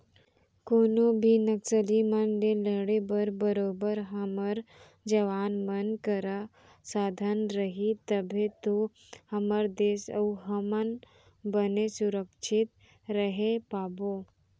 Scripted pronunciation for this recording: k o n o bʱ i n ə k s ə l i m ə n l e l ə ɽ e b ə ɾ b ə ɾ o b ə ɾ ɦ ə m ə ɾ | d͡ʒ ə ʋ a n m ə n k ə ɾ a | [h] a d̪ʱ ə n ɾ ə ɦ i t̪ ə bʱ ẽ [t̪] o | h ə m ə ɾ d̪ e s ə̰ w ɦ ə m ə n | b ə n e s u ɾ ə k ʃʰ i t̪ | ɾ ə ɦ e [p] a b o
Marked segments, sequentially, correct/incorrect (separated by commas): incorrect, correct, correct